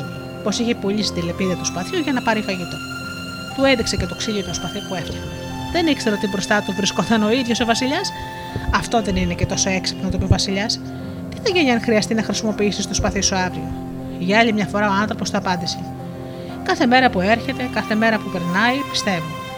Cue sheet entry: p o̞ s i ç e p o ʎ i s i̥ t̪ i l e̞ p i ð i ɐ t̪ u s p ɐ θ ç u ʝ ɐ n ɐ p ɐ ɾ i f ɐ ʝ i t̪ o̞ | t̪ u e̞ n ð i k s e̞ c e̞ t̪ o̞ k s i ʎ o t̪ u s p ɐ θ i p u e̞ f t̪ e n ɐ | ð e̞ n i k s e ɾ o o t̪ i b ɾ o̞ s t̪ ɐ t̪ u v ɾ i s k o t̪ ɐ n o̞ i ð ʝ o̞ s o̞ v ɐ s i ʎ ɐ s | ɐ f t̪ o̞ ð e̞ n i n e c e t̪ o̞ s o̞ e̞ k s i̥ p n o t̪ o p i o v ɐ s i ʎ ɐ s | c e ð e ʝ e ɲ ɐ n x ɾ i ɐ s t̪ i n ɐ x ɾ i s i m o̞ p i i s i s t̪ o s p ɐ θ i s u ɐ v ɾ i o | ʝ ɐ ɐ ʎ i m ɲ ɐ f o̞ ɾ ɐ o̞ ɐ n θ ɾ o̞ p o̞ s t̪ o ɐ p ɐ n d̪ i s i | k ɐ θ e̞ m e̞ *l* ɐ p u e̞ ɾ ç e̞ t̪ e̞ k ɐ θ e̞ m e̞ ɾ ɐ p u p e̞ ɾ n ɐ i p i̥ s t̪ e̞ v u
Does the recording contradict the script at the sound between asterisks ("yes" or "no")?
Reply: yes